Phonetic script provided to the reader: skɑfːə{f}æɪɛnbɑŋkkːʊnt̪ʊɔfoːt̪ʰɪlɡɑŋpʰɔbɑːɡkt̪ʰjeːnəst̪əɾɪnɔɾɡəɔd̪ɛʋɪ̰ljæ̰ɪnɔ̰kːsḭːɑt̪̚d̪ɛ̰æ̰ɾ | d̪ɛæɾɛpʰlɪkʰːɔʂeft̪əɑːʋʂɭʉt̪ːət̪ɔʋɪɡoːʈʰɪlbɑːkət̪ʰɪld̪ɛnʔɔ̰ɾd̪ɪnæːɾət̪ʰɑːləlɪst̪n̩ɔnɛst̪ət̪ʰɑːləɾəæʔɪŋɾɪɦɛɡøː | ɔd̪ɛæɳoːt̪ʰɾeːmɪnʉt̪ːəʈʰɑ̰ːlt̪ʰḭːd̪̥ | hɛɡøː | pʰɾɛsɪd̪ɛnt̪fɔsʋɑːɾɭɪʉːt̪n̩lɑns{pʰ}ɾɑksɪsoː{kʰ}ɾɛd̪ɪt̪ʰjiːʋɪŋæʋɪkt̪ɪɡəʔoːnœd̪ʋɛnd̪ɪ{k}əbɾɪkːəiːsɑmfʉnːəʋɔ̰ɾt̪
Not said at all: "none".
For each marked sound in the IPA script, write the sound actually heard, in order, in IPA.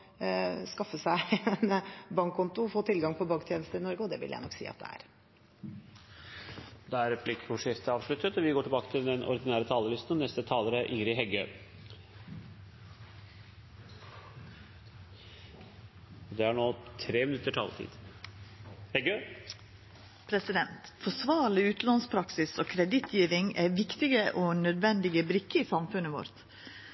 s, pʰ, kʰ, ɡ

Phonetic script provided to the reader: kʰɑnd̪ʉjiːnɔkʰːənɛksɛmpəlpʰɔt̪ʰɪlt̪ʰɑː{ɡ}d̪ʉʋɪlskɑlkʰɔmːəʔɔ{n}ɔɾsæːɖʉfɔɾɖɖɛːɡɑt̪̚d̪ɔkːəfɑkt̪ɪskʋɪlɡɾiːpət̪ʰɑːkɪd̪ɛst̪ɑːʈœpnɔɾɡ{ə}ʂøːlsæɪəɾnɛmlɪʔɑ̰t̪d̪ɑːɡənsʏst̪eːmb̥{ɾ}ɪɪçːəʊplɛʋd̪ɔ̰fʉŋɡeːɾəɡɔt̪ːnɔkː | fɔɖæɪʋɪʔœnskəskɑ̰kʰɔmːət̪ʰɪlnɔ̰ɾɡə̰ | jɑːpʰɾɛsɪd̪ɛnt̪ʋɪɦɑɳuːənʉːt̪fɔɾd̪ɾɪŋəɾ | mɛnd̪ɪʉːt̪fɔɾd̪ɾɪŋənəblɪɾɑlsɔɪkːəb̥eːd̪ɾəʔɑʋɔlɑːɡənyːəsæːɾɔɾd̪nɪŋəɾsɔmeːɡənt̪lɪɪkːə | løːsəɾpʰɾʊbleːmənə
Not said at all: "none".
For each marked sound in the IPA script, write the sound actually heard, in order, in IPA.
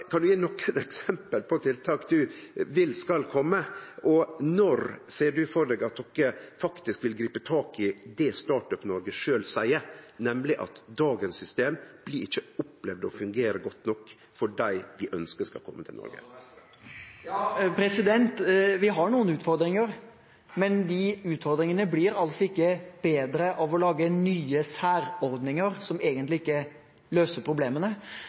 k, n, ə, l

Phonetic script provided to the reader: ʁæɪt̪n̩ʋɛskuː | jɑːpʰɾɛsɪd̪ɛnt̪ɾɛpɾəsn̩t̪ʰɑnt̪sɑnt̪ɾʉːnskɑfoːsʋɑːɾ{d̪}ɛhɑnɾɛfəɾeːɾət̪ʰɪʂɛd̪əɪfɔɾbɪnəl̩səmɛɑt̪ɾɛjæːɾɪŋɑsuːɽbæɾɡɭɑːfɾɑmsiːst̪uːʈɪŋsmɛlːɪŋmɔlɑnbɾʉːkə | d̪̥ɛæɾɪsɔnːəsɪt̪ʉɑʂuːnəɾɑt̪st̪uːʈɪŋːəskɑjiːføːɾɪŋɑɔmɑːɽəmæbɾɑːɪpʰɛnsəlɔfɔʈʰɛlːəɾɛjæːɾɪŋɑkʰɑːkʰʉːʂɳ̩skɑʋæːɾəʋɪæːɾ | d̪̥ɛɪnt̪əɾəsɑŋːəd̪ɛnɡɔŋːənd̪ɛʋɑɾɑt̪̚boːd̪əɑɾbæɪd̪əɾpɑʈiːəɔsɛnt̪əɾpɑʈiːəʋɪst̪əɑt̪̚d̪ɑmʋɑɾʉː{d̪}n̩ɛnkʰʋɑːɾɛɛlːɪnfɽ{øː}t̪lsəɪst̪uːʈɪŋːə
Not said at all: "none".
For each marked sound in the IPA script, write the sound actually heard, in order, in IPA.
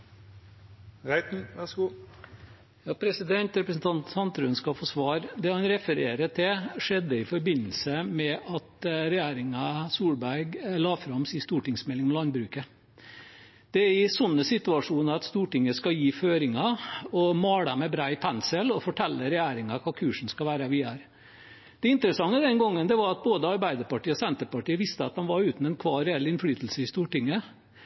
d̪, t̪, yː

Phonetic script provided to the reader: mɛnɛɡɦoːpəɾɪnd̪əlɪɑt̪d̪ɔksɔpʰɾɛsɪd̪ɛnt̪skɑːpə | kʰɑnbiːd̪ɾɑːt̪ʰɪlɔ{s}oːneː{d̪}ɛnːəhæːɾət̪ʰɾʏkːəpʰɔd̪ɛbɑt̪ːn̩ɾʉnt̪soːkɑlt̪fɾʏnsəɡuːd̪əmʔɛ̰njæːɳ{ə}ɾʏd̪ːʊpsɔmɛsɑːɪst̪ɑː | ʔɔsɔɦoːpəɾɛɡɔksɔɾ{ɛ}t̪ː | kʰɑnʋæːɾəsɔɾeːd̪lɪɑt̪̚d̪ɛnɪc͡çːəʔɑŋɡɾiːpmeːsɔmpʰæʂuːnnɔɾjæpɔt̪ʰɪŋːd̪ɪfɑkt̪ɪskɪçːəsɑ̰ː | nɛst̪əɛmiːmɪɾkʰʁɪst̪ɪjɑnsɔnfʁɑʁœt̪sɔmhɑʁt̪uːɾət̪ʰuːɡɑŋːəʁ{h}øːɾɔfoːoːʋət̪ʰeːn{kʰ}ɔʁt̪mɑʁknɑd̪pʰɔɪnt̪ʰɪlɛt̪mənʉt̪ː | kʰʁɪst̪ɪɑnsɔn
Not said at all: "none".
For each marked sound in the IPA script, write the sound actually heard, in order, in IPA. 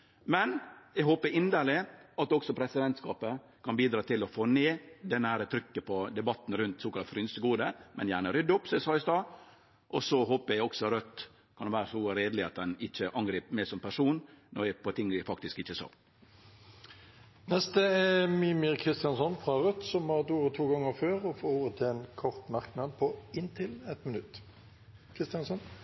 f, d̪, ə, œ, f, kʰ

